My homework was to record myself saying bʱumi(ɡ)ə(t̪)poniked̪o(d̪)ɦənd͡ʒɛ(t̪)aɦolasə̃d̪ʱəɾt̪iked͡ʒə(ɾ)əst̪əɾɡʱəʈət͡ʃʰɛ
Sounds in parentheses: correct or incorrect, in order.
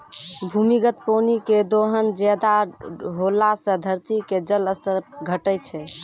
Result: correct, correct, incorrect: none, incorrect: d̪, incorrect: l

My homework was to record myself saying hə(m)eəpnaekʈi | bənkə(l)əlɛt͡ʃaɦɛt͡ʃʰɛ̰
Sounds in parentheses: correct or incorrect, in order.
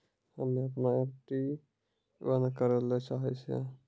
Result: correct, incorrect: ɾ

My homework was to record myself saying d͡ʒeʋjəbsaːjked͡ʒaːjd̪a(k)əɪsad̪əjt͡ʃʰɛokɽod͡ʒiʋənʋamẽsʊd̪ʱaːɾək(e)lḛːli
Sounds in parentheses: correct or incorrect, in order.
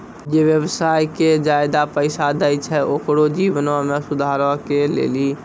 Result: incorrect: p, correct

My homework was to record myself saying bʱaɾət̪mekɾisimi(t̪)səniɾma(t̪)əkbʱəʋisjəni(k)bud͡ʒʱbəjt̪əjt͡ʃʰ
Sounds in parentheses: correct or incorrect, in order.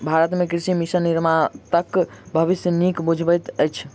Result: incorrect: none, correct, correct

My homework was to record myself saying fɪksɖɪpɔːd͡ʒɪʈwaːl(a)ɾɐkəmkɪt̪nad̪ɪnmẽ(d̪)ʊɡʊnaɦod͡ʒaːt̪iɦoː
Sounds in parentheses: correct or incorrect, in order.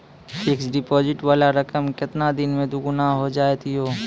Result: correct, correct

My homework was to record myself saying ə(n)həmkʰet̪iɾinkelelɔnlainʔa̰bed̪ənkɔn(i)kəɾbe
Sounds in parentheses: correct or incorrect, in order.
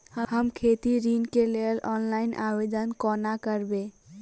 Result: incorrect: none, incorrect: a

